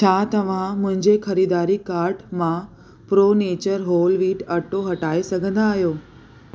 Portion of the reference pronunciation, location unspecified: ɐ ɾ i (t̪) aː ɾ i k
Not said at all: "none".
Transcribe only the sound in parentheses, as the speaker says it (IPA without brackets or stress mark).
d̪